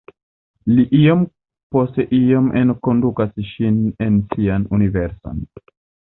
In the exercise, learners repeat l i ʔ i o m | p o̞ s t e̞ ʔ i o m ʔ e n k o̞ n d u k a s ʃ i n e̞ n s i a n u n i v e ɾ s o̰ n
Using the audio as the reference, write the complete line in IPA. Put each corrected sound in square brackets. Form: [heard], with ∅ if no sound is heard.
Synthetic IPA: l i ʔ i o m | p o̞ s t e̞ ʔ i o m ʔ e n k o̞ n d u k a s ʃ i n e̞ n s i a n u n i v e ɾ s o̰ n